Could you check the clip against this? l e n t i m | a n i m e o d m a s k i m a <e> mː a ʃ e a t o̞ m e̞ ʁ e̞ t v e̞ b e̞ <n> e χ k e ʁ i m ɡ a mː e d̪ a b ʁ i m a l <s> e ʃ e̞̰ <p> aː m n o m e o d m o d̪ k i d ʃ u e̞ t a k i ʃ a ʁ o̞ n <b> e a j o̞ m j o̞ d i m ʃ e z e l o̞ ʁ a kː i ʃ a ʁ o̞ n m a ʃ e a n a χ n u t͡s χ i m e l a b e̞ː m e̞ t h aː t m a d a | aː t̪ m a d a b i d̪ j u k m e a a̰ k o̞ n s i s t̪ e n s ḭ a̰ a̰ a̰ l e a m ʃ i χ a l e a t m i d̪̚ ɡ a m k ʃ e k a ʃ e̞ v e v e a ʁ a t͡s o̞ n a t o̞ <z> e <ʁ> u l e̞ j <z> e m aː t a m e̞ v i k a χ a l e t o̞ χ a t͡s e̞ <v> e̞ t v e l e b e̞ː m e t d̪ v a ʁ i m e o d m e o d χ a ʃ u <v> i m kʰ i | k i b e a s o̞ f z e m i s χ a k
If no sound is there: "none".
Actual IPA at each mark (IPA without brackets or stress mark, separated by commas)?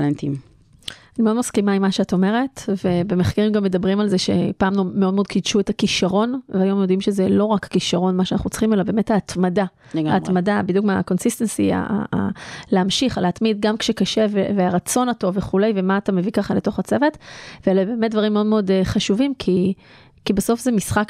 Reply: i, m, z, p, v, v, χ, v, v, v